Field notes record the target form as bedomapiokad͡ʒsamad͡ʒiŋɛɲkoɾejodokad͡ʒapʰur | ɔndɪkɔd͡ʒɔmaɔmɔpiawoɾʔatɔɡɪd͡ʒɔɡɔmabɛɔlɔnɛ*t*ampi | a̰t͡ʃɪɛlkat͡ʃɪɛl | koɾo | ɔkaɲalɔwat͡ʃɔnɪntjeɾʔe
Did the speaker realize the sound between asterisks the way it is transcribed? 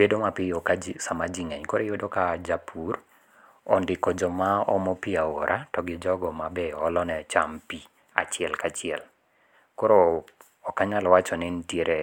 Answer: no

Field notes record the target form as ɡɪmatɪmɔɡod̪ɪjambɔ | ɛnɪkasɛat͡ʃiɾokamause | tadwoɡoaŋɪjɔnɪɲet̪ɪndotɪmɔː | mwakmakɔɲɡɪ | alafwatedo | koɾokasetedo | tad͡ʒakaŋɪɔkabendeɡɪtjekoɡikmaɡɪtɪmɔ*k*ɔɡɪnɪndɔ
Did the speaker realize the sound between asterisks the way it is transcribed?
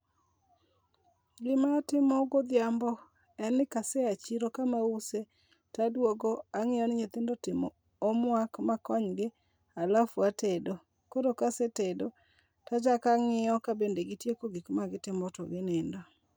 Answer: no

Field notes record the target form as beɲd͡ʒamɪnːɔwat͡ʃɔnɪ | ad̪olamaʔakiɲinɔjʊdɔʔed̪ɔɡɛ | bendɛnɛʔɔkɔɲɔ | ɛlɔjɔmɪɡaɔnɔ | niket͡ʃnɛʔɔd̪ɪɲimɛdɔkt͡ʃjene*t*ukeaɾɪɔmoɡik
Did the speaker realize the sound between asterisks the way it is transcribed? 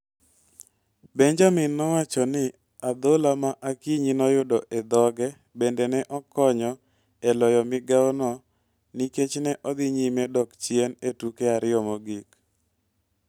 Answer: yes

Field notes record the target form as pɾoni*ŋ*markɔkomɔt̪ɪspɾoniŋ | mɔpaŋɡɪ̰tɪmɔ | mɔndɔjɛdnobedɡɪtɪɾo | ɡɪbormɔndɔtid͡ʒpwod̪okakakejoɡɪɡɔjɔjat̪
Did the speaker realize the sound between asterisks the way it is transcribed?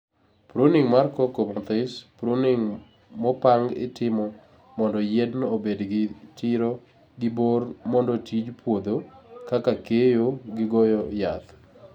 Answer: yes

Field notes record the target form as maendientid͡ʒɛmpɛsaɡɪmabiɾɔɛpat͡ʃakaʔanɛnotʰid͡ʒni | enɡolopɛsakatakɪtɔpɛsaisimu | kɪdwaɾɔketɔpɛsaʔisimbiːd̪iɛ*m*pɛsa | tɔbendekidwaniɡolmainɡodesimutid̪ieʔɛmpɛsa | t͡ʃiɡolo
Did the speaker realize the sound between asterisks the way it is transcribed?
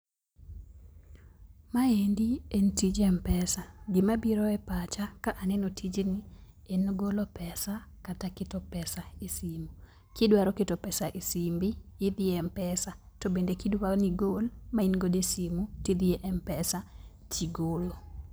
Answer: yes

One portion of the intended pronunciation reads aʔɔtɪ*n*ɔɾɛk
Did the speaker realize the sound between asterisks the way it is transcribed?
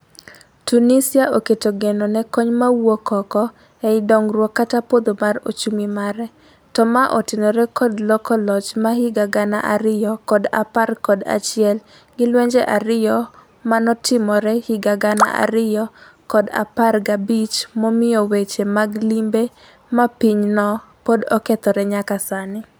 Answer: yes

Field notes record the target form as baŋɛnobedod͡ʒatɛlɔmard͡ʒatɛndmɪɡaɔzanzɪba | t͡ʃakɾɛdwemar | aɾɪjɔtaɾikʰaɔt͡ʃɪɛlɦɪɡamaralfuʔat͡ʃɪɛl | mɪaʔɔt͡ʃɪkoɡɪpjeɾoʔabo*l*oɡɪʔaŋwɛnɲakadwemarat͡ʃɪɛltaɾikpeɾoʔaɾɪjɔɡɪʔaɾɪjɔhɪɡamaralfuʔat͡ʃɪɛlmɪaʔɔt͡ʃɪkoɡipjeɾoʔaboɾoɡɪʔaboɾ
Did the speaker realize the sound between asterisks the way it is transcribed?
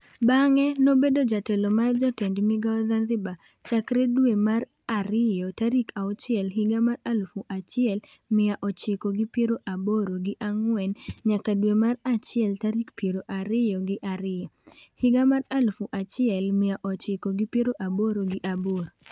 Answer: no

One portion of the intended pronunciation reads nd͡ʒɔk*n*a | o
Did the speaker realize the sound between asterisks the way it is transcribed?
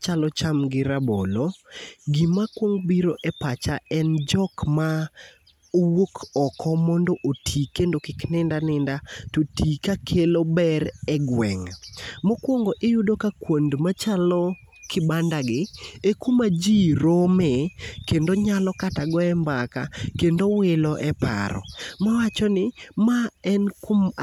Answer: no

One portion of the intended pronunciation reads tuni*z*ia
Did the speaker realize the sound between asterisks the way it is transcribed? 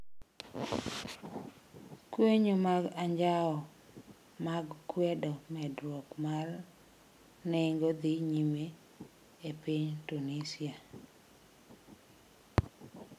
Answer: no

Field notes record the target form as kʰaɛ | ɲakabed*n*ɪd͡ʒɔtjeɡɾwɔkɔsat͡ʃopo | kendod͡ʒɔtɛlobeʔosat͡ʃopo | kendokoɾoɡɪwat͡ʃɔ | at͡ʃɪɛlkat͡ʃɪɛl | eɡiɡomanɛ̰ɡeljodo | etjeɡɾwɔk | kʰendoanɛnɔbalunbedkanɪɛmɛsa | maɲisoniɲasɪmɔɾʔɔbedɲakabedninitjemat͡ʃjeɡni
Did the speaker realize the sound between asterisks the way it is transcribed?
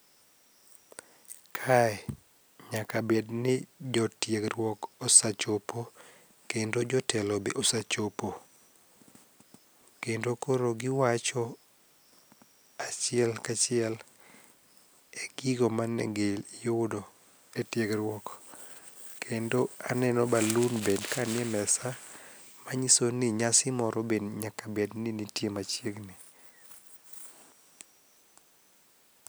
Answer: yes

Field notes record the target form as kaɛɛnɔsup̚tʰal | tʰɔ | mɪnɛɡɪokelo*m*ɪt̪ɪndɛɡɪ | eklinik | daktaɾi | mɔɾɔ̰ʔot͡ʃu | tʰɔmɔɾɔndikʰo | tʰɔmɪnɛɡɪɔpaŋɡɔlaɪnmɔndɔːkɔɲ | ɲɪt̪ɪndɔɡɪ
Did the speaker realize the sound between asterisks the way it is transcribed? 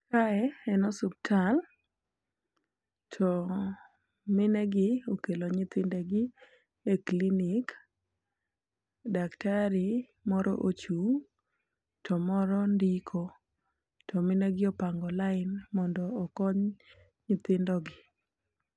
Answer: no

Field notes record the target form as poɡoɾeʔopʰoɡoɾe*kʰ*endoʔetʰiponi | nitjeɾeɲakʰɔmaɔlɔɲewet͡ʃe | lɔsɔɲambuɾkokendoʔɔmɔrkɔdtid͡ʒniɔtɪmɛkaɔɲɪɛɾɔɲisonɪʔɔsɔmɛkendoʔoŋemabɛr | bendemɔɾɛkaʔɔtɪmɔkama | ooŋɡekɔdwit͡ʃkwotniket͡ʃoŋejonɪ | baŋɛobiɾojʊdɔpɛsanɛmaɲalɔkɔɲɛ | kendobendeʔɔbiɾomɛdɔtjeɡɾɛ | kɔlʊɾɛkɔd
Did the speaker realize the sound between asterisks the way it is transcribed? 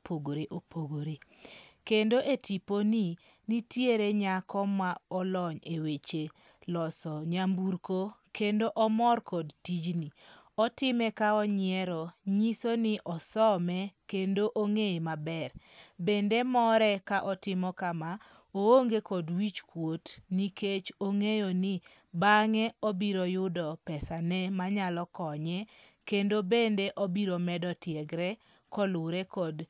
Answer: no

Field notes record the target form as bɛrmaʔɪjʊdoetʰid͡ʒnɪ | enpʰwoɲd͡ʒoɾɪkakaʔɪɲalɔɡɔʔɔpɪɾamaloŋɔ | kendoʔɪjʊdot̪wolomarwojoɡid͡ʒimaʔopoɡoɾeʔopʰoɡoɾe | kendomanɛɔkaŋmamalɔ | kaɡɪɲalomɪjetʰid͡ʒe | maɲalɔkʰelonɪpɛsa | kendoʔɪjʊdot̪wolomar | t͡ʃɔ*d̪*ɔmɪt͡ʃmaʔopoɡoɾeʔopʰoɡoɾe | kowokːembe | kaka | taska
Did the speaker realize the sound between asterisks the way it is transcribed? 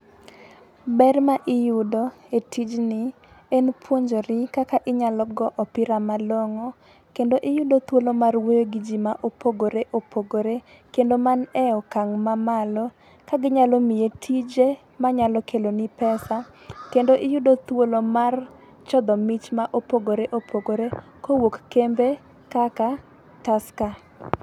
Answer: yes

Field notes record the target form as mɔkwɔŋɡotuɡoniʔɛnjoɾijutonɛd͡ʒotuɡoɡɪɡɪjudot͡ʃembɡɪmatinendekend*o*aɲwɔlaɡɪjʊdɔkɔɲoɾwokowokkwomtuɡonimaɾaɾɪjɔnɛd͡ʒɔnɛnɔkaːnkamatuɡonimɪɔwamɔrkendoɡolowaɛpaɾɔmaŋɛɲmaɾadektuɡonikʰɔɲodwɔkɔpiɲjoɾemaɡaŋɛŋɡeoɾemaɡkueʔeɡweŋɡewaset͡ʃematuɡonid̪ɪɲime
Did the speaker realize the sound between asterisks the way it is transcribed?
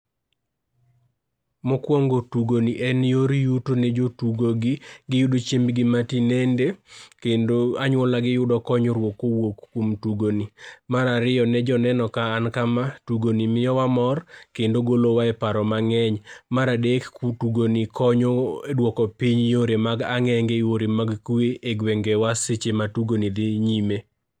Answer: yes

